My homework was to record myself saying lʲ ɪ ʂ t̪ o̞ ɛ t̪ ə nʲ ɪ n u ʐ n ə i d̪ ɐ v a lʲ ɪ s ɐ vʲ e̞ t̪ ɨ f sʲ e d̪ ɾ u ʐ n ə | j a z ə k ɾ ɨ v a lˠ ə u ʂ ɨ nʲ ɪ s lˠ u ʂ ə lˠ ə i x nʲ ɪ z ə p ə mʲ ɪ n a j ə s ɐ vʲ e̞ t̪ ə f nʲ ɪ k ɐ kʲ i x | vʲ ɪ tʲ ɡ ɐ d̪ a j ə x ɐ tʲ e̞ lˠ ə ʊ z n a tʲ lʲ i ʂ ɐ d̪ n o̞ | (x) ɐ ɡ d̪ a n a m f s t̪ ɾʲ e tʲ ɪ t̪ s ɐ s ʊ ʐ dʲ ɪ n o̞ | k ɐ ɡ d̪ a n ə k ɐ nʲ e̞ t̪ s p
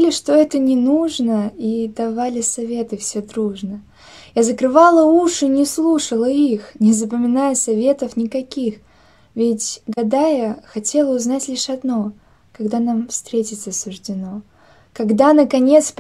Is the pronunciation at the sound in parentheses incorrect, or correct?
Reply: incorrect